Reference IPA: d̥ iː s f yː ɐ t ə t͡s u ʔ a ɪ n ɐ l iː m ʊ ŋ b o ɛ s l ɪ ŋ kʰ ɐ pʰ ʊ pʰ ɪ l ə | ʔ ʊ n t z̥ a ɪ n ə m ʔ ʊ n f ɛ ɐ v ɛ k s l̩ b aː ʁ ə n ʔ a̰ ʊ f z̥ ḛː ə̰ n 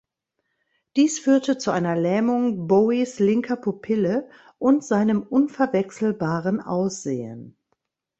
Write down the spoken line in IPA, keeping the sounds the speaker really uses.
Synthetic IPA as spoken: d̥ iː s f yː ɐ t ə t͡s u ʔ a ɪ n ɐ l ɛː m ʊ ŋ b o i s l ɪ ŋ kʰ ɐ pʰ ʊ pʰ ɪ l ə | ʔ ʊ n t z̥ a ɪ n ə m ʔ ʊ n f ɛ ɐ v ɛ k s l̩ b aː ʁ ə n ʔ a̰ ʊ s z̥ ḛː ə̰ n

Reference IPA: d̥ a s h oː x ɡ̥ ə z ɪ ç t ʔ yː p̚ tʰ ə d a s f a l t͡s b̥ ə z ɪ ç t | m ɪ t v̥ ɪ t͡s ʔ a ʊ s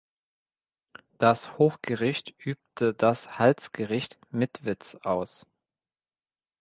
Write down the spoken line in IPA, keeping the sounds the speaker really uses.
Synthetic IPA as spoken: d̥ a s h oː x ɡ̥ ə ʁ ɪ ç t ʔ yː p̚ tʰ ə d a s h a l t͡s ɡ̥ ə ʁ ɪ ç t | m ɪ t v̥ ɪ t͡s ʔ a ʊ s

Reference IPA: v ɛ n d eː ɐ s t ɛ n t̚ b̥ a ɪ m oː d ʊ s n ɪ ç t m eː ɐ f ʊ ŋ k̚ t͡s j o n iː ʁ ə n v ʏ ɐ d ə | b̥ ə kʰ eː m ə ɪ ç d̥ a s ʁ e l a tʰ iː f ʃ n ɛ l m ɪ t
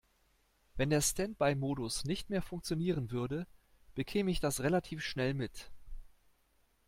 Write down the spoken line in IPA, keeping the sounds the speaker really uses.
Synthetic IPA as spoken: v ɛ n d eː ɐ s t ɛ n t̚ b̥ a ɪ m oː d ʊ s n ɪ ç t m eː ɐ f ʊ ŋ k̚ t͡s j o n iː ʁ ə n v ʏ ɐ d ə | b̥ ə kʰ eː m ə ɪ ç d̥ a s ʁ e l a tʰ iː f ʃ n ɛ l m ɪ t

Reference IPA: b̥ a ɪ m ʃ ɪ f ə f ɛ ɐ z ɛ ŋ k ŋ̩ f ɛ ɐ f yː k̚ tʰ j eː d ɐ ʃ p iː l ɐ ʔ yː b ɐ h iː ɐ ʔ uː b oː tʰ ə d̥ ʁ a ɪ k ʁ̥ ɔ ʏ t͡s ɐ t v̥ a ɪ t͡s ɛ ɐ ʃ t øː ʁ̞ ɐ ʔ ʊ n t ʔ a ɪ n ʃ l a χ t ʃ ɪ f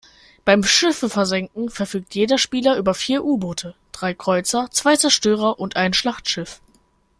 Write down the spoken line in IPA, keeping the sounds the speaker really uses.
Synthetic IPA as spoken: b̥ a ɪ m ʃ ɪ f ə f ɛ ɐ z ɛ ŋ k ŋ̩ f ɛ ɐ f yː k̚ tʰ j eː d ɐ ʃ p iː l ɐ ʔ yː b ɐ f iː ɐ ʔ uː b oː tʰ ə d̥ ʁ a ɪ k ʁ̥ ɔ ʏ t͡s ɐ t͡s v̥ a ɪ t͡s ɛ ɐ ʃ t øː ʁ̞ ɐ ʔ ʊ n t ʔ a ɪ n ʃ l a χ t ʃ ɪ f

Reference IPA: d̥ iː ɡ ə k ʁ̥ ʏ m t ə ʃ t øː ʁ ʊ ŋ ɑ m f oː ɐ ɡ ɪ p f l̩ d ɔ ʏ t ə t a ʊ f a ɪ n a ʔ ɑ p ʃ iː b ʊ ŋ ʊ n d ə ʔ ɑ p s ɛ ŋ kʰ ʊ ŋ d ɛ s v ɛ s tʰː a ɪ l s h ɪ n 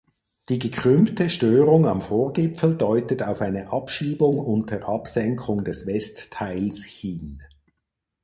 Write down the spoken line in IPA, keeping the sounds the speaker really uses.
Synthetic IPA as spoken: d̥ iː ɡ ə k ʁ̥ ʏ m t ə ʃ t øː ʁ ʊ ŋ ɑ m f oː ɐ ɡ ɪ p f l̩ d ɔ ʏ t ə t a ʊ f a ɪ n ə ʔ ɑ p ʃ iː b ʊ ŋ ʊ n t ə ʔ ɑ p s ɛ ŋ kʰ ʊ ŋ d ɛ s v ɛ s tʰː a ɪ l s h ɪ n

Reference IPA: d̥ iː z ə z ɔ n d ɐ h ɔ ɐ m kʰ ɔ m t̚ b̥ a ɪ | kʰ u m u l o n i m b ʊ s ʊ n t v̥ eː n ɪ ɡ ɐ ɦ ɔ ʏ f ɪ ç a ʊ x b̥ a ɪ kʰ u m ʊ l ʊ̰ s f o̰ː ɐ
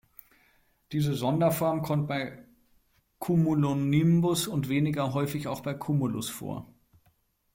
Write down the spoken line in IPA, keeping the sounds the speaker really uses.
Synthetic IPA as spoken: d̥ iː z ə z ɔ n d ɐ f ɔ ɐ m kʰ ɔ m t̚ b̥ a ɪ | kʰ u m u l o n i m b ʊ s ʊ n t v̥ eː n ɪ ɡ ɐ ɦ ɔ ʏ f ɪ ç a ʊ x b̥ a ɪ kʰ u m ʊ l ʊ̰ s f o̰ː ɐ

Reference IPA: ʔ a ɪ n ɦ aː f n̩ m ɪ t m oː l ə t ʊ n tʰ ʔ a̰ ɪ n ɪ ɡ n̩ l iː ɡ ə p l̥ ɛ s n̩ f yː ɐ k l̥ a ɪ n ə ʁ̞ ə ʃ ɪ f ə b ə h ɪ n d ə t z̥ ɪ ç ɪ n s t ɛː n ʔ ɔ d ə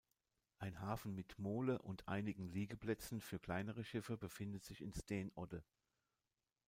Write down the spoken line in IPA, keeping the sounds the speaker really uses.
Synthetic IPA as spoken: ʔ a ɪ n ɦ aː f n̩ m ɪ t m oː l ə ʔ ʊ n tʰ ʔ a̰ ɪ n ɪ ɡ ŋ̩ l iː ɡ ə p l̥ ɛ t͡s n̩ f yː ɐ k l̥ a ɪ n ə ʁ̞ ə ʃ ɪ f ə b ə f ɪ n d ə t z̥ ɪ ç ɪ n s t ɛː n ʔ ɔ d ə

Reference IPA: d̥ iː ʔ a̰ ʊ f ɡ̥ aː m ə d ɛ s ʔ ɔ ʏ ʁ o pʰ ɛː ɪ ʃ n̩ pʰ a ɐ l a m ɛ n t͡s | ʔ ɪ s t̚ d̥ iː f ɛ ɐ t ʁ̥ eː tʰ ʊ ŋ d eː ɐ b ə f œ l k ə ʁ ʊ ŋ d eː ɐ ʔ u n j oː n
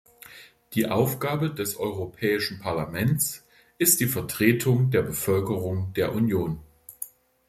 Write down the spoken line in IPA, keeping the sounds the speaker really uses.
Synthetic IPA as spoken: d̥ iː ʔ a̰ ʊ f ɡ̥ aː b ə d ɛ s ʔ ɔ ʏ ʁ o pʰ ɛː ɪ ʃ n̩ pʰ a ɐ l a m ɛ n t͡s | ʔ ɪ s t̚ d̥ iː f ɛ ɐ t ʁ̥ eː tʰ ʊ ŋ d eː ɐ b ə f œ l k ə ʁ ʊ ŋ d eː ɐ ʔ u n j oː n

